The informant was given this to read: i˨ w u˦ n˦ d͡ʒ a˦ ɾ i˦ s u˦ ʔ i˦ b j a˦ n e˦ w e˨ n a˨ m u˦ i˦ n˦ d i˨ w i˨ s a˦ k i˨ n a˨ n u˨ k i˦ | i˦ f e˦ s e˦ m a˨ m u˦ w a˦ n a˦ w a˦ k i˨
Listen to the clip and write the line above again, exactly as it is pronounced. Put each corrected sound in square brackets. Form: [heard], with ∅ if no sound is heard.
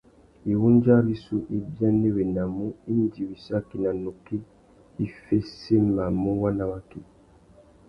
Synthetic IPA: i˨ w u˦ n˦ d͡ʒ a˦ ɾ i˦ s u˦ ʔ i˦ b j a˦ n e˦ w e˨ n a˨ m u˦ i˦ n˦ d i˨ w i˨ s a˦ k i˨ n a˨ n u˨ k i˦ | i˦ f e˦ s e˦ m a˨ m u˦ w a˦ n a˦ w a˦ k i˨